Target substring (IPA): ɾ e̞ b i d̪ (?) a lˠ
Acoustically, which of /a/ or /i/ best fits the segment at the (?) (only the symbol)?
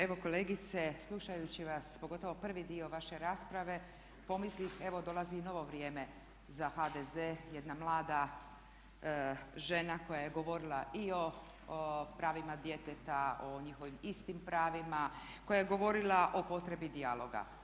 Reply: i